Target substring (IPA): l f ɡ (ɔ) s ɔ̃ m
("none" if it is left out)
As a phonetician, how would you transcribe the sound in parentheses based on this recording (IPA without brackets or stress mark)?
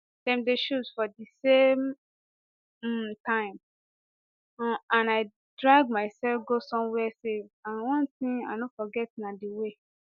o